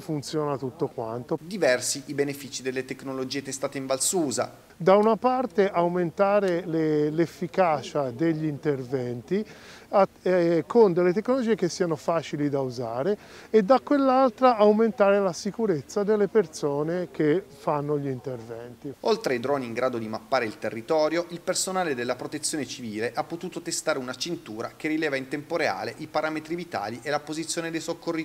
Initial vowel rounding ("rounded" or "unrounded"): rounded